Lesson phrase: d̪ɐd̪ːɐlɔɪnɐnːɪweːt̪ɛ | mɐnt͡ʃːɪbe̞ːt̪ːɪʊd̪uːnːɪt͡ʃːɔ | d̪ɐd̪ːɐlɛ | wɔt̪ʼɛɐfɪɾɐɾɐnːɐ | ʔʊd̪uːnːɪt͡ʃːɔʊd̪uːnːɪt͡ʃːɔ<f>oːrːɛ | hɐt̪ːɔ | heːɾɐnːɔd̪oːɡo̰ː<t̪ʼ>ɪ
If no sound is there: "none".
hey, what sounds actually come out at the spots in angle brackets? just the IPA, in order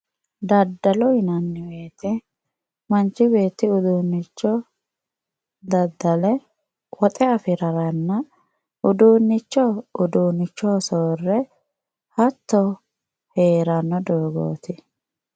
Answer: s, t̪

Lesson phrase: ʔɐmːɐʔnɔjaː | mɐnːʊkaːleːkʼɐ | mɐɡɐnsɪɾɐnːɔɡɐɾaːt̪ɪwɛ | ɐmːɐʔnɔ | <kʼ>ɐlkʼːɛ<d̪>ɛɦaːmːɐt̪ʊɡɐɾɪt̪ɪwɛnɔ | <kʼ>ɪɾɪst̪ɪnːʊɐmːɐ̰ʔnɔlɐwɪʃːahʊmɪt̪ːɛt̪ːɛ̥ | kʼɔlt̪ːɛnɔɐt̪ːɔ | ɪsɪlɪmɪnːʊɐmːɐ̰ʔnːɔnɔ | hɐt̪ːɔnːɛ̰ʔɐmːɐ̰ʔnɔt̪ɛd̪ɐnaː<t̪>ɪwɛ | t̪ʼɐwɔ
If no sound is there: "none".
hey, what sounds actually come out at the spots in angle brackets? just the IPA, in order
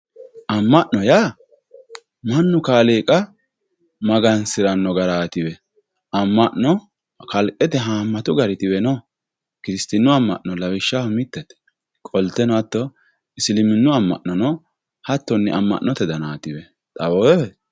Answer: k, t̪, k, t̪

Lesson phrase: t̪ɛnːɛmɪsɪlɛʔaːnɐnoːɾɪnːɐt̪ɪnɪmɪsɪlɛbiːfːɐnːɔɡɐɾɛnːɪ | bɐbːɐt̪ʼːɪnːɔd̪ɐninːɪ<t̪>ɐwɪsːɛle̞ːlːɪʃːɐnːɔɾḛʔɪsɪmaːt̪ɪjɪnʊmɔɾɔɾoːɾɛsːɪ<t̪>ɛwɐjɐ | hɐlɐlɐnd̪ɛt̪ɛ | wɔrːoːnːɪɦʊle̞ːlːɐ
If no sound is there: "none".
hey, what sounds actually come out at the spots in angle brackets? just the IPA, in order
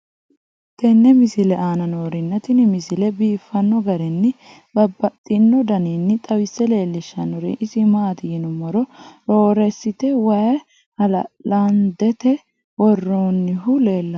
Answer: t̪ʼ, t̪

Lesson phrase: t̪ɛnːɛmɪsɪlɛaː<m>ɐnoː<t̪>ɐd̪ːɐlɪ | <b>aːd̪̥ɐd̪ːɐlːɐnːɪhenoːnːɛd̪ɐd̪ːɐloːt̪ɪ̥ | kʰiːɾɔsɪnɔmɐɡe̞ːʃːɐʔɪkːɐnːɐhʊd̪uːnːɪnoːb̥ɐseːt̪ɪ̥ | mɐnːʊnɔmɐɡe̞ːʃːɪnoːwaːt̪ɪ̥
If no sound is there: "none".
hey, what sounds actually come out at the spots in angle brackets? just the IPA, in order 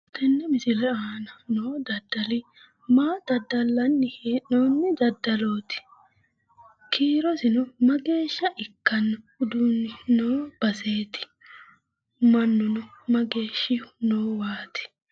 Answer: n, d̪, m

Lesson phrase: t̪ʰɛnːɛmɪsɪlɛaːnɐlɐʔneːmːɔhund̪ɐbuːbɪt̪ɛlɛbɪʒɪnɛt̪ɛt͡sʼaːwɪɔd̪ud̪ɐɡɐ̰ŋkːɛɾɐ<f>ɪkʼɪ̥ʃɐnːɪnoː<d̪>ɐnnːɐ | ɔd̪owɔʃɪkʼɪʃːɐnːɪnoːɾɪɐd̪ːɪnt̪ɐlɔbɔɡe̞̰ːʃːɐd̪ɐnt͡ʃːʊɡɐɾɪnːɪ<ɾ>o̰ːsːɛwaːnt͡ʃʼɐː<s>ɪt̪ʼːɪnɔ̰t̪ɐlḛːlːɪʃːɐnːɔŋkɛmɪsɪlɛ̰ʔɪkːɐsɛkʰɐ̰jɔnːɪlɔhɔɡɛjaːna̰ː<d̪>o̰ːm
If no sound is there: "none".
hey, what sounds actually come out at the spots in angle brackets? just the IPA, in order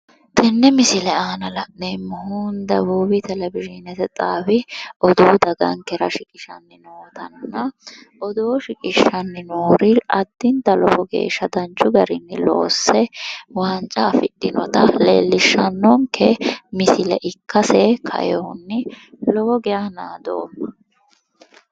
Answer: ʃ, t̪, l, f, d̪

